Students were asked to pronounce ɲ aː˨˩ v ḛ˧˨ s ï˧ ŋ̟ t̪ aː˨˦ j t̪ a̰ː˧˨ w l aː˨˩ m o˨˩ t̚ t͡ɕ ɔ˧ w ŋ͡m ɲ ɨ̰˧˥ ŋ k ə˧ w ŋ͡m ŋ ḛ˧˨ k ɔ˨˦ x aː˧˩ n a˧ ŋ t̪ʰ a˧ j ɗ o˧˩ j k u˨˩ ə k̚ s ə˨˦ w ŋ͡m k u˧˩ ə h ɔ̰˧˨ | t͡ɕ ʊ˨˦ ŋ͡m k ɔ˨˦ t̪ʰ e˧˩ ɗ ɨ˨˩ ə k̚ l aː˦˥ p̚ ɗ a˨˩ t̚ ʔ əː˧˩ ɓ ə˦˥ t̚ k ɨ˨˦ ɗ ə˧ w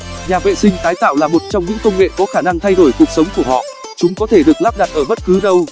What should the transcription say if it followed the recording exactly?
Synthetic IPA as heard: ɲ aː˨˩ v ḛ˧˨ s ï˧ ŋ̟ t̪ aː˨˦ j t̪ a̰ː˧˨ w l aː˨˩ m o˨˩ t̚ t͡ɕ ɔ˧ w ŋ͡m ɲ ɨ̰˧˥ ŋ k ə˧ w ŋ͡m ŋ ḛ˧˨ k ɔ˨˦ x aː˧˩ n a˧ ŋ t̪ʰ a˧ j ɗ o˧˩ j k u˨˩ ə k̚ s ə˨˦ w ŋ͡m k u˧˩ ə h ɔ̰˧˨ | t͡ɕ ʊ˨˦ ŋ͡m k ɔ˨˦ t̪ʰ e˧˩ ɗ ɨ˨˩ ə k̚ l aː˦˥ p̚ ɗ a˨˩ t̚ ʔ əː˧˩ ɓ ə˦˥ t̚ k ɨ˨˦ ɗ ə˧ w